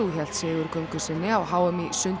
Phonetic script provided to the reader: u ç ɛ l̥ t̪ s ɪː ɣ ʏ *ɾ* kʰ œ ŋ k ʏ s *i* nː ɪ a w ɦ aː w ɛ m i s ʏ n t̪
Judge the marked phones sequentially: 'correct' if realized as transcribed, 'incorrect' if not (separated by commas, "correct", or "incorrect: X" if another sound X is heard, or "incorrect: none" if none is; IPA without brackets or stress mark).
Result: correct, incorrect: ɪ